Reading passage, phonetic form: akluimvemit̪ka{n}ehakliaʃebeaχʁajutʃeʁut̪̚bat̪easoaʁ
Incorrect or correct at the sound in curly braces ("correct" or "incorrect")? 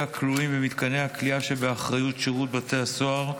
correct